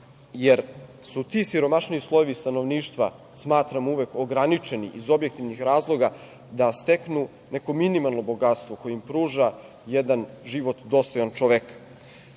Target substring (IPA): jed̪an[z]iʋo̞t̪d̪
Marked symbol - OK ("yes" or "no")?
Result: no